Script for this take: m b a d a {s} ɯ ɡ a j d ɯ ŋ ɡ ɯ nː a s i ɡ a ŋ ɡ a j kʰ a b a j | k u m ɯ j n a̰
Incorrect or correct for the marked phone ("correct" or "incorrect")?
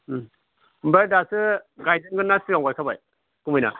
correct